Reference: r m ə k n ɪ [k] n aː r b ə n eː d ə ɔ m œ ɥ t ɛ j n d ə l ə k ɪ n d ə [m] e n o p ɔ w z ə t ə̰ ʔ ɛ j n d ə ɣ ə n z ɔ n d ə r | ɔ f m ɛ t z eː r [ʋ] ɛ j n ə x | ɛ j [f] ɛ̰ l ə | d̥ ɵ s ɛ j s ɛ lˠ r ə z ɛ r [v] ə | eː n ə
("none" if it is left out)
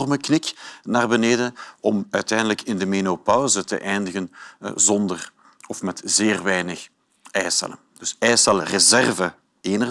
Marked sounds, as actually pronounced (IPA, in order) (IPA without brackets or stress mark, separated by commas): k, m, ʋ, s, v